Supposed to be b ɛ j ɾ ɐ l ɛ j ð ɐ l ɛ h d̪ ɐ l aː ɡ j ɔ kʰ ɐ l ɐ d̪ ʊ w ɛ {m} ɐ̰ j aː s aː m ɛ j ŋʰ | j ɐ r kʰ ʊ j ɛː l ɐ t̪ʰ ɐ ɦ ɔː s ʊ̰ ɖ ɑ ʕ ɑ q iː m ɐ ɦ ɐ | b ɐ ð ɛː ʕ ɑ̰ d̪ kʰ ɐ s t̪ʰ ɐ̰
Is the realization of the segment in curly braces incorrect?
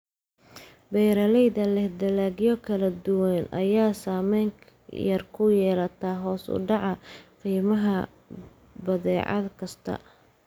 yes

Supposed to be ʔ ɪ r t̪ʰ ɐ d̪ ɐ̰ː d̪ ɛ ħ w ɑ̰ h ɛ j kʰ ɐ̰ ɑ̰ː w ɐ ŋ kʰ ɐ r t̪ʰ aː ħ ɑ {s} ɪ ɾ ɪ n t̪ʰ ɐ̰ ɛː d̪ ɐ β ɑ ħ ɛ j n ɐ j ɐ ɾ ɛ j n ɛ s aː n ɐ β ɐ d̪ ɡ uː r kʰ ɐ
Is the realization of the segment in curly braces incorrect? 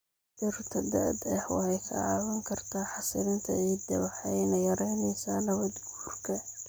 no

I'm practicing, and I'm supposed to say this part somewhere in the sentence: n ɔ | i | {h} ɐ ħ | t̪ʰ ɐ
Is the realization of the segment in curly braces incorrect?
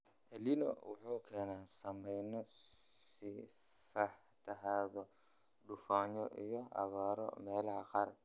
yes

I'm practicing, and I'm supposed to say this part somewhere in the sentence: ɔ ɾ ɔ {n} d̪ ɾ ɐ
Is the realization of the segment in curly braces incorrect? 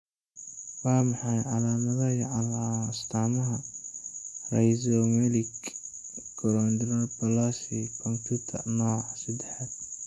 no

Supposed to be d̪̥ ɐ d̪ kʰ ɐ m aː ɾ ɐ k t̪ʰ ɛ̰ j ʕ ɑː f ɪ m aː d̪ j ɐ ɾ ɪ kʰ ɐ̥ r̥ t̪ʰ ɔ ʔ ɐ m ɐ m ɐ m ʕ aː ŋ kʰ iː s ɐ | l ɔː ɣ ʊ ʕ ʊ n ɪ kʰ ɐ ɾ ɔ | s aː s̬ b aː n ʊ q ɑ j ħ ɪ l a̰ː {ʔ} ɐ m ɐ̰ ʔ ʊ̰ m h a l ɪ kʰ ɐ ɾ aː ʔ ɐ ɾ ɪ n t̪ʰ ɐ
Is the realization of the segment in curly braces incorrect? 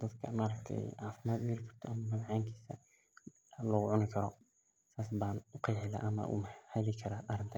no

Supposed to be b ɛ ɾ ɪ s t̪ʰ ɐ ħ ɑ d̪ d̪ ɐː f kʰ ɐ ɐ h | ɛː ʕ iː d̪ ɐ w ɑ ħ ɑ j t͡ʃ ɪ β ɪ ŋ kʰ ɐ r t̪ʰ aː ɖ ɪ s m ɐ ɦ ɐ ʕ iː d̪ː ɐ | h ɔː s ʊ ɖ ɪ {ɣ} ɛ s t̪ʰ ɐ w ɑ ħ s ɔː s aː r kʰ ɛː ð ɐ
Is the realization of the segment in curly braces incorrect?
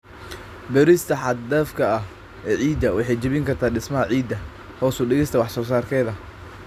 no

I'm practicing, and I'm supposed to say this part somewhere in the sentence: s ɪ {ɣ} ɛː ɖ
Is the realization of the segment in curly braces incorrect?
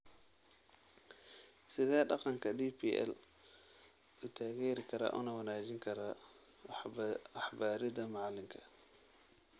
yes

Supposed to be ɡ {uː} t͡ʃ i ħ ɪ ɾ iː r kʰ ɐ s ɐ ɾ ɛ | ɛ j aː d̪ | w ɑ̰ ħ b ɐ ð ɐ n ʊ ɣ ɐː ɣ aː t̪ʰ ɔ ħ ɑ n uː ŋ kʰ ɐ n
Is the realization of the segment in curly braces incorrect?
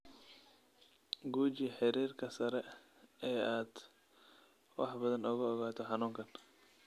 no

